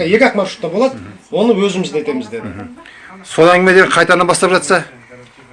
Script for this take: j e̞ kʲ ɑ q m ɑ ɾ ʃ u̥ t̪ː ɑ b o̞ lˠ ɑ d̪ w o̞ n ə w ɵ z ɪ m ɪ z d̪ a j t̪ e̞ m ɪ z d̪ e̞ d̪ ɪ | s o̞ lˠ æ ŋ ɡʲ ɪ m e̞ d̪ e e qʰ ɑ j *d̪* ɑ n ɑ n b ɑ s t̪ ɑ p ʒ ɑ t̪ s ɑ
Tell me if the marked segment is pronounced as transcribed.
no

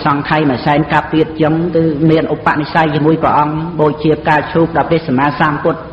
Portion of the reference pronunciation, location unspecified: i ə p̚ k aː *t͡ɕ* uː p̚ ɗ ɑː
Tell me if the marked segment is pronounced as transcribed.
no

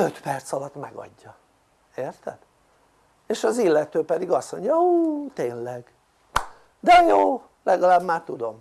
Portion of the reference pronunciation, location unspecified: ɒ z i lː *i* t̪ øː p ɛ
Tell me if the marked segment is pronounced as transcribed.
no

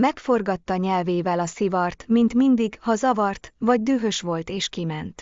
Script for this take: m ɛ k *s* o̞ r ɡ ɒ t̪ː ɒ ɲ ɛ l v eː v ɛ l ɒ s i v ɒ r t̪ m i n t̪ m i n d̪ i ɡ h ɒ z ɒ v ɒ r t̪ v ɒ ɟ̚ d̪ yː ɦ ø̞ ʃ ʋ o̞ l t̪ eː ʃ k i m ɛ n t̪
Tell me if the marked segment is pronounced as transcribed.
no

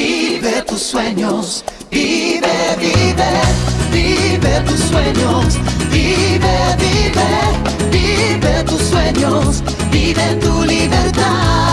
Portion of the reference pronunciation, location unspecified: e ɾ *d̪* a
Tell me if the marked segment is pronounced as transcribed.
no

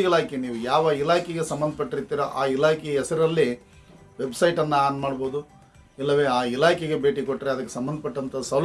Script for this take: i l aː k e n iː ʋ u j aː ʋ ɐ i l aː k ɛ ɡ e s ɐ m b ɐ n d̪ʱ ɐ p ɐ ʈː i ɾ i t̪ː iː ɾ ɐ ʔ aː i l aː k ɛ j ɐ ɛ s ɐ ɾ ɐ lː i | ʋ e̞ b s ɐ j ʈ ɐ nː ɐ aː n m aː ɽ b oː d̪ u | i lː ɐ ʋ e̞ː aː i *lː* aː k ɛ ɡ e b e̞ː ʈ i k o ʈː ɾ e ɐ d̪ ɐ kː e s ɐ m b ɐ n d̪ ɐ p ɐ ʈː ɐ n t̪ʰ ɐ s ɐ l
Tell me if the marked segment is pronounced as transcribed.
no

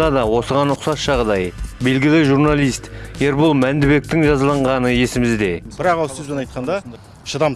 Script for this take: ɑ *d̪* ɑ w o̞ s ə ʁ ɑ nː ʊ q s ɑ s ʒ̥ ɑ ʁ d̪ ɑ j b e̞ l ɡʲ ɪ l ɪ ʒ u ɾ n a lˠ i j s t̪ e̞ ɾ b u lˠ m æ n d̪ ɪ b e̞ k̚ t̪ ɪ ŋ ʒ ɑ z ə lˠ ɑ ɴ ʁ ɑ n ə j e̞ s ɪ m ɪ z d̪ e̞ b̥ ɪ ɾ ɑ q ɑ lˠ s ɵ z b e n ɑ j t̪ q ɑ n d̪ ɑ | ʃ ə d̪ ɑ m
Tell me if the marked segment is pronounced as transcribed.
yes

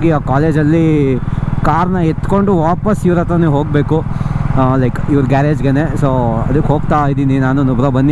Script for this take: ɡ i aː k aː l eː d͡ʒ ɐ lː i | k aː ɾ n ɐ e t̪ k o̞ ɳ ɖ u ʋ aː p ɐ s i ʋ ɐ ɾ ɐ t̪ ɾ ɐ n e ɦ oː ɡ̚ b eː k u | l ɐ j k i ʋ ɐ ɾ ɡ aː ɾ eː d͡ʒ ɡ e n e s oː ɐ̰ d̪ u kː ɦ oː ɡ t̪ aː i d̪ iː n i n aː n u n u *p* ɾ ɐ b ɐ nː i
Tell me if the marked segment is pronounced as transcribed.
no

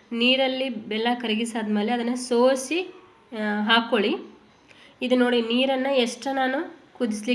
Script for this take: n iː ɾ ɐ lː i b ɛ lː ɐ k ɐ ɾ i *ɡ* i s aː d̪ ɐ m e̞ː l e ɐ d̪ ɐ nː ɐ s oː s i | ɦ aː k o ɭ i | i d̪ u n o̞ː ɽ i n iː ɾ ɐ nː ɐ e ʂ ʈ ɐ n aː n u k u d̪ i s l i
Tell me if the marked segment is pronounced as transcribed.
yes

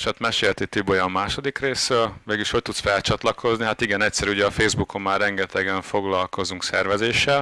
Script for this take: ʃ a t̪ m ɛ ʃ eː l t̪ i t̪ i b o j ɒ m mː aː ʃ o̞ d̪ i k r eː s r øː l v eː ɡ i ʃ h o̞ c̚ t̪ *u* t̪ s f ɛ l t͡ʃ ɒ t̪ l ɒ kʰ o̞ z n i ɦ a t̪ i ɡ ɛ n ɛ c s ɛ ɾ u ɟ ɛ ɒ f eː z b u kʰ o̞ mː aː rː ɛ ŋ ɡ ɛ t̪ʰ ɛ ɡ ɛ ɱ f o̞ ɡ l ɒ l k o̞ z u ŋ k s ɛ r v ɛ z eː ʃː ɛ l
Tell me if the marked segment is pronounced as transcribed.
yes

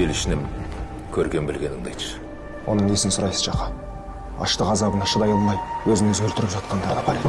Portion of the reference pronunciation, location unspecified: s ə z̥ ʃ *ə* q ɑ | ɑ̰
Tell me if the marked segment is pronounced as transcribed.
no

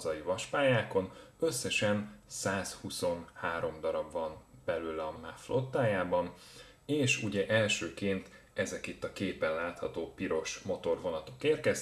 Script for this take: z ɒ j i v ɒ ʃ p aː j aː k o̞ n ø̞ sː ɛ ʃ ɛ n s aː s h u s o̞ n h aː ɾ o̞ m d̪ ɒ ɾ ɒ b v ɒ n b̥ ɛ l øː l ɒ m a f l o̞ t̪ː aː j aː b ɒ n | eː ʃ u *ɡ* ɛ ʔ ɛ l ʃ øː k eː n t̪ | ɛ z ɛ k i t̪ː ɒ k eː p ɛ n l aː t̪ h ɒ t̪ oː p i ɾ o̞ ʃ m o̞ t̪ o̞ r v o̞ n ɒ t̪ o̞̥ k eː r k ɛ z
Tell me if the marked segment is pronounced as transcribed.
no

